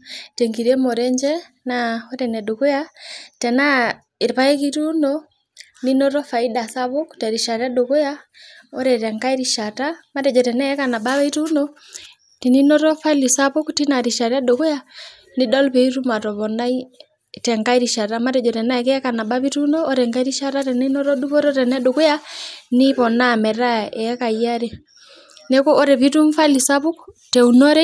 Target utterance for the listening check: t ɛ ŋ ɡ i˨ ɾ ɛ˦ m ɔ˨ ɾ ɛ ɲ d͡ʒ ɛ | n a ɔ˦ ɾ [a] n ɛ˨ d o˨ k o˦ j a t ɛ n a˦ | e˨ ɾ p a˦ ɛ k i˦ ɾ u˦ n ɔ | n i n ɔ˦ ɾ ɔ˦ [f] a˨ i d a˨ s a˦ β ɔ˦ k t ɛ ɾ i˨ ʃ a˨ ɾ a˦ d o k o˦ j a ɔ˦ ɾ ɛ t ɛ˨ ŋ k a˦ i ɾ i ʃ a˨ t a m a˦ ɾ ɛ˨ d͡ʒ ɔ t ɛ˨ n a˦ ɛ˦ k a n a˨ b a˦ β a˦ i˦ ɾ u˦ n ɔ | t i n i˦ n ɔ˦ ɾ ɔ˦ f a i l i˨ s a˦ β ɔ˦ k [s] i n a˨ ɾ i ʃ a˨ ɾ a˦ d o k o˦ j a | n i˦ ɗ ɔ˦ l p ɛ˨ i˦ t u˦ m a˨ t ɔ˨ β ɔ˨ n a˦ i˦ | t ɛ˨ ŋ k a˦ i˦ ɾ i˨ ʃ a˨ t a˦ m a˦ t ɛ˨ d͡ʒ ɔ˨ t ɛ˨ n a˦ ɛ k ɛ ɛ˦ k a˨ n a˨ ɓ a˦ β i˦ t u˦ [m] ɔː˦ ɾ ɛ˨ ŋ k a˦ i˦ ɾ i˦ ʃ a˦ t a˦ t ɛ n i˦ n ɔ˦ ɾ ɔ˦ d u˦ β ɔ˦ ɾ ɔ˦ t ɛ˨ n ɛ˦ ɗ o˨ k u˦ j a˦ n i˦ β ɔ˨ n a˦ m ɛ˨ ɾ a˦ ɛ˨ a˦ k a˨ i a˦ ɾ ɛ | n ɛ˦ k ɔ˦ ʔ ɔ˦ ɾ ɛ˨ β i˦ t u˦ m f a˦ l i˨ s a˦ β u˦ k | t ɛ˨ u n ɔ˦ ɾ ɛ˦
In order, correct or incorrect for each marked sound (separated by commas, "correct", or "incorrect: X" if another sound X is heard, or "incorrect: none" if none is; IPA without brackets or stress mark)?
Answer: incorrect: ɛ, correct, incorrect: t, incorrect: n